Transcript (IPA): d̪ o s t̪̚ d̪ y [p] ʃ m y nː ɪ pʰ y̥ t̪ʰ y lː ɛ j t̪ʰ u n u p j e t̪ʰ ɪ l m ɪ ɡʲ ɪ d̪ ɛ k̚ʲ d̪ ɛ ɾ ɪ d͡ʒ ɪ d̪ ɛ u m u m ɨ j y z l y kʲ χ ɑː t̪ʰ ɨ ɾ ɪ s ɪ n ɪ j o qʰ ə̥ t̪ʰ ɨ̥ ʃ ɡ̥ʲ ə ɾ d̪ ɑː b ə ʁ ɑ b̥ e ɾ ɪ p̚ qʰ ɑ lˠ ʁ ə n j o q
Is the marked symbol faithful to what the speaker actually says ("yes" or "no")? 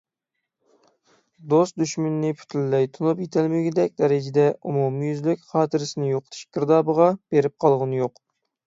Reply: no